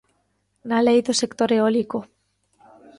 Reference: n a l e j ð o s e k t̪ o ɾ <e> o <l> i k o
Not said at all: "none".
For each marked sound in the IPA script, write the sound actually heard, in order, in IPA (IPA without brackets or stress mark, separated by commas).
e, l